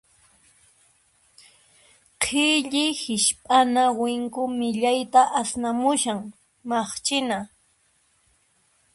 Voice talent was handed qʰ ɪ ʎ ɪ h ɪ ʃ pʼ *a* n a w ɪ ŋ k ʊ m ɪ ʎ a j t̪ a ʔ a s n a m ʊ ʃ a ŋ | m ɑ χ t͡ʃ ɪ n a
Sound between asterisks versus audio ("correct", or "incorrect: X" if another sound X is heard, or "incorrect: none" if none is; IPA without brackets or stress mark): correct